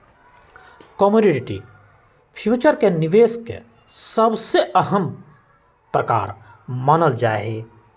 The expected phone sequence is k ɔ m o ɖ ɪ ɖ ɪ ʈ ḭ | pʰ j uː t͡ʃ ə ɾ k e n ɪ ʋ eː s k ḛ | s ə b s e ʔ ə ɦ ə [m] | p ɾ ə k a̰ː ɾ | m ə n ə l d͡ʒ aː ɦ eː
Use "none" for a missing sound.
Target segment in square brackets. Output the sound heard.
m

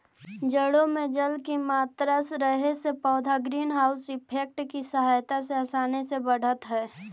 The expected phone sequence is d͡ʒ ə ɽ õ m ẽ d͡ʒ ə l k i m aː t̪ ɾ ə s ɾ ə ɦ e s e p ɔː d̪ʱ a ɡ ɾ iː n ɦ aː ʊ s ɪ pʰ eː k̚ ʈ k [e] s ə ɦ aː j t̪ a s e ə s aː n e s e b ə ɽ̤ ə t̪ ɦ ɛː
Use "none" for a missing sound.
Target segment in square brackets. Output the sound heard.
i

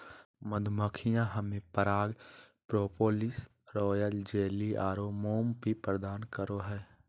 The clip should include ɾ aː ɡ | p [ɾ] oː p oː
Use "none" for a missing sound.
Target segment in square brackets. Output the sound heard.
ɾ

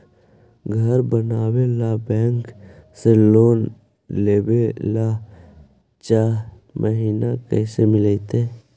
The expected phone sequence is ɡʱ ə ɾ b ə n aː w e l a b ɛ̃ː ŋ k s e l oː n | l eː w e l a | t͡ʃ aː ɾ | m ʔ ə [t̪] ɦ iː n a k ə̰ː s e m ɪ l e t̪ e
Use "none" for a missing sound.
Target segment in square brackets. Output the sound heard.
none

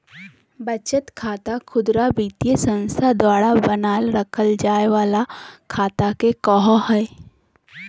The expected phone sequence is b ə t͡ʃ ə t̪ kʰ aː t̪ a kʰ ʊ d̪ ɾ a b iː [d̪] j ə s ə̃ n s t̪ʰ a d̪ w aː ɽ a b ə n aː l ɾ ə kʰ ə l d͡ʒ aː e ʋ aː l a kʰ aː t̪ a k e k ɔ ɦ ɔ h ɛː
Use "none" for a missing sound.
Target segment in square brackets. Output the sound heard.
t̪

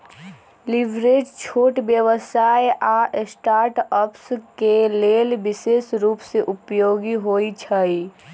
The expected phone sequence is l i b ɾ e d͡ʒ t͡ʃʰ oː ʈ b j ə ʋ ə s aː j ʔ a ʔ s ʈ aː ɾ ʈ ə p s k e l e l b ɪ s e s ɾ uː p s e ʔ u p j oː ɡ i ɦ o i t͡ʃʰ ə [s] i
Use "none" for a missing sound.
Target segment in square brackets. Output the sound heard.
none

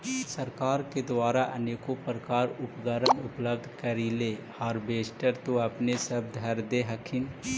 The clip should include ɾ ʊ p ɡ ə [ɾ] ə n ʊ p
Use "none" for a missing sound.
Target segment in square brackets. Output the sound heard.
ɾ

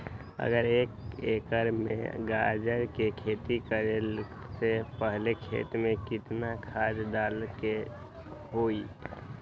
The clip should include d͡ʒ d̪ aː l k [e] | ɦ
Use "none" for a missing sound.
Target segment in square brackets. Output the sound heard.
e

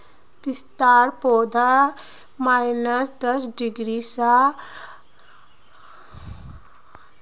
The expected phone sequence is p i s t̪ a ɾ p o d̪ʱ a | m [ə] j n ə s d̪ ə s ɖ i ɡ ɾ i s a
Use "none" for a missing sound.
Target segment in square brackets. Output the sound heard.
a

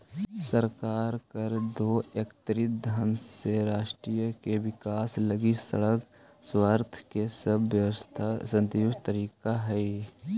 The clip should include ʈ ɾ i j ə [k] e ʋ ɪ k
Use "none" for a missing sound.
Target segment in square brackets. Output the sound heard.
k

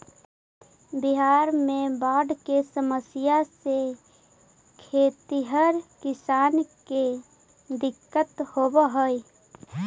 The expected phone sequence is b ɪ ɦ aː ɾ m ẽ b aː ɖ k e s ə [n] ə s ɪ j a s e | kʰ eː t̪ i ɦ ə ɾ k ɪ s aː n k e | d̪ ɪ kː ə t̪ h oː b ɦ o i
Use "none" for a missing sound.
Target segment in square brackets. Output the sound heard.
m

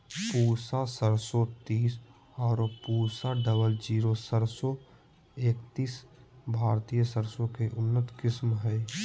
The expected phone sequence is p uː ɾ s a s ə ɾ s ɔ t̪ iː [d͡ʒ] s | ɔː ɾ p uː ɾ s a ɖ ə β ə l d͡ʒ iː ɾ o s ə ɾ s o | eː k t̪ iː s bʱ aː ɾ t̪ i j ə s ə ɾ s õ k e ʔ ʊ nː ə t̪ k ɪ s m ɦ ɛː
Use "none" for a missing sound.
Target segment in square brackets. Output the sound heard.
none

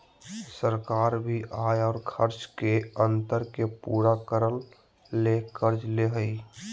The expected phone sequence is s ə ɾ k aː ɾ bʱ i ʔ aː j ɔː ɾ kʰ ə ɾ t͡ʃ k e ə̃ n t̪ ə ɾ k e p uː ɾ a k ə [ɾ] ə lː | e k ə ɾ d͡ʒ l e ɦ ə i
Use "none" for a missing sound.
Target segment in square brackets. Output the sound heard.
ɾ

